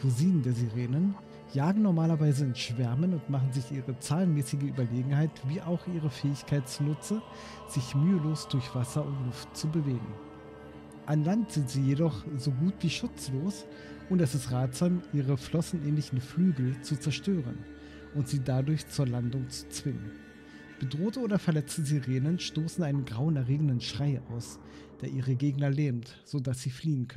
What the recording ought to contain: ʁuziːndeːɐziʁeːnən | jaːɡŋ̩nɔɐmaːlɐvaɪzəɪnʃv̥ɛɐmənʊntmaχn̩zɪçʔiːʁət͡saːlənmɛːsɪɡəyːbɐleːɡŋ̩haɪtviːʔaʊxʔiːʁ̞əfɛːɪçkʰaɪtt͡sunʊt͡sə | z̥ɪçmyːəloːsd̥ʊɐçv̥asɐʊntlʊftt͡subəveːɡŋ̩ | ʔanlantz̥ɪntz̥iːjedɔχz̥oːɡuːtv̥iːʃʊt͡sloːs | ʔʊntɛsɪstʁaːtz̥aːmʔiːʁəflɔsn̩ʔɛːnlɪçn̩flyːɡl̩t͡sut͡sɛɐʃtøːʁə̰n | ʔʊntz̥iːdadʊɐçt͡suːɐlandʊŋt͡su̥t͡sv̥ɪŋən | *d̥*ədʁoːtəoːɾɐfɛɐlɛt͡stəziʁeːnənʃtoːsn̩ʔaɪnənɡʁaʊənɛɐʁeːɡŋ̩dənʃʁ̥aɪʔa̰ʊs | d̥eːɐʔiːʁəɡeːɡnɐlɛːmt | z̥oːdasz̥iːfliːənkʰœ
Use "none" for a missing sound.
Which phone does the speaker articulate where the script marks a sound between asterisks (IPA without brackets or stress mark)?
b̥